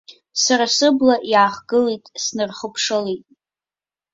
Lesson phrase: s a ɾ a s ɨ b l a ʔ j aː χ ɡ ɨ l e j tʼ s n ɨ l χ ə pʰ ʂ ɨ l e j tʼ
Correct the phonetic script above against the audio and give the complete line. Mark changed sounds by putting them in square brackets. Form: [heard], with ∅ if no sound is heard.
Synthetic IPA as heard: s a ɾ a s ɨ b l a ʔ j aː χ ɡ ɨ l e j tʼ s n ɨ [r] χ ə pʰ ʂ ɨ l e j tʼ